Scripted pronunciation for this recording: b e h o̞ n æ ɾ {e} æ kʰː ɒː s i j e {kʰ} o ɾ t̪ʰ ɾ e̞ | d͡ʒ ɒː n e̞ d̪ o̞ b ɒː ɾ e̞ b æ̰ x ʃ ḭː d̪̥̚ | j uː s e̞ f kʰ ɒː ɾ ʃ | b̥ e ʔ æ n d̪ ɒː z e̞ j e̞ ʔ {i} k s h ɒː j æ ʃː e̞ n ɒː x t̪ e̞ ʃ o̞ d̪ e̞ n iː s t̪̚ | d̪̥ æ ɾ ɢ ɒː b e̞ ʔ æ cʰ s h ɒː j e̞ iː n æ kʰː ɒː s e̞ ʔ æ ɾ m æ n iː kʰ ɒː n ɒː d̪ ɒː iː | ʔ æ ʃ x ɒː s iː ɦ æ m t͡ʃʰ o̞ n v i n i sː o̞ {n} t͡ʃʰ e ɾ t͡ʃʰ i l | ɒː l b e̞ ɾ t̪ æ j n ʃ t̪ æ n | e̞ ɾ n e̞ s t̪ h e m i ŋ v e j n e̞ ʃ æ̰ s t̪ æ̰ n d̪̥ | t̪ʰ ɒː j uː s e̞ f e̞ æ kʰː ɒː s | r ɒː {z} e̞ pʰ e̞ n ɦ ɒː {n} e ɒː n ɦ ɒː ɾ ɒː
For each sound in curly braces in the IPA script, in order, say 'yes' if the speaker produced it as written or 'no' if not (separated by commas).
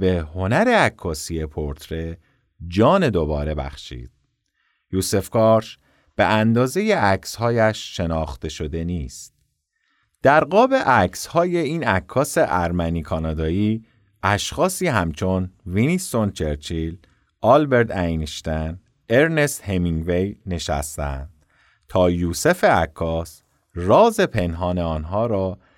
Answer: yes, no, no, yes, yes, yes